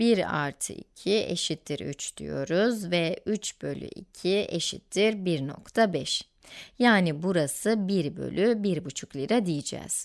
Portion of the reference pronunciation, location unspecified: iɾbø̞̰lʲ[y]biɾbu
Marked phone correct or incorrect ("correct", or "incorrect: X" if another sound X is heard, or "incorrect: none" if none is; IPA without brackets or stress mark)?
correct